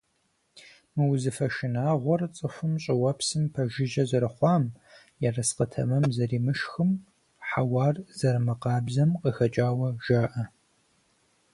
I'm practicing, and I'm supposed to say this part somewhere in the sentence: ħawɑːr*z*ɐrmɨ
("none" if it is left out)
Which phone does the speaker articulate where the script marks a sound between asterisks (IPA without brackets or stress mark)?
z